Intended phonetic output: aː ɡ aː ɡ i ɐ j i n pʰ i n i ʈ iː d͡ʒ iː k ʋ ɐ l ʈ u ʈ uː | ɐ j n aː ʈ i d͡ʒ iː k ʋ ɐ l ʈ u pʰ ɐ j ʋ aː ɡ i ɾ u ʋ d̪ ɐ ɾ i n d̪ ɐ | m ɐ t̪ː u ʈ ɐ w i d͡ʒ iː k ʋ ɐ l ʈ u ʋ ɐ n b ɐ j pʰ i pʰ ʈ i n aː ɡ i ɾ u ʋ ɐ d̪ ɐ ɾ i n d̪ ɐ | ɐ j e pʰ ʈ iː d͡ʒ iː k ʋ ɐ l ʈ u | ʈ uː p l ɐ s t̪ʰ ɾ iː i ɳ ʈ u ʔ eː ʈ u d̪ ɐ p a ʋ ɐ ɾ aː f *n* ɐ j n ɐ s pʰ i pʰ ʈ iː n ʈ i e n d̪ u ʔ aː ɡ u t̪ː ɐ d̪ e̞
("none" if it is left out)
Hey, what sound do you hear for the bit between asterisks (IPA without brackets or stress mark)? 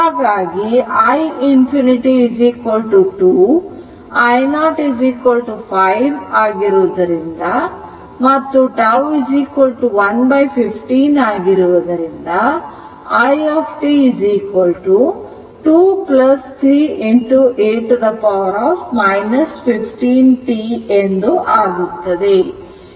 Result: m